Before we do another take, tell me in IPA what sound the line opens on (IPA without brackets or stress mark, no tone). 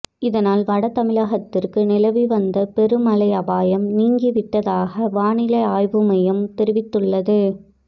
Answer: ɪ